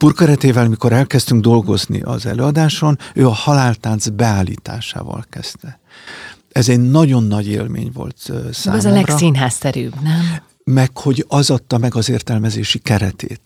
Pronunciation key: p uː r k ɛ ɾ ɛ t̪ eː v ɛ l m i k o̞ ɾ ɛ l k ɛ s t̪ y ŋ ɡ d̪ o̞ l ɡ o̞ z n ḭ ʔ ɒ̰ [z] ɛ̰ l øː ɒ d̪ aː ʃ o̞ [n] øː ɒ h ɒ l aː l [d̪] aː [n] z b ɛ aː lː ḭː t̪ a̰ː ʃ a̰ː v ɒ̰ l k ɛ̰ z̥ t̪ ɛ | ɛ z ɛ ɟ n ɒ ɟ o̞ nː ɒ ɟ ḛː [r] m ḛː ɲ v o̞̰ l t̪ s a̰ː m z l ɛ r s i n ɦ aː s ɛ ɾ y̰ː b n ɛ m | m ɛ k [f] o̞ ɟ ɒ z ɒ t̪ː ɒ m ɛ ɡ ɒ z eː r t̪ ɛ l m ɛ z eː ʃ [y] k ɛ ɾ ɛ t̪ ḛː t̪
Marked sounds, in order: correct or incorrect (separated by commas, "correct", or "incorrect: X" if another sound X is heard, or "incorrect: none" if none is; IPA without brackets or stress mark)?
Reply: correct, correct, incorrect: t̪, correct, incorrect: l, incorrect: h, incorrect: i